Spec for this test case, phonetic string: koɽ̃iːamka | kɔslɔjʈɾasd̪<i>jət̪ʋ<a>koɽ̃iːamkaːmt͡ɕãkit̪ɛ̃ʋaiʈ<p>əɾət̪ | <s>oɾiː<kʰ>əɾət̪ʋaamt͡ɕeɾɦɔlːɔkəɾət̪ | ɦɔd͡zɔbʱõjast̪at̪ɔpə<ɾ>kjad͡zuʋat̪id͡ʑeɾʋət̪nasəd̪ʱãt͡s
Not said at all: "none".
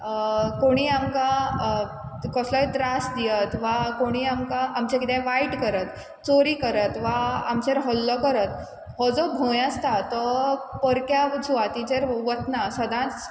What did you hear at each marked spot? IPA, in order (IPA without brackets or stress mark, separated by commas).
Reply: i, a, k, t͡s, k, ɾ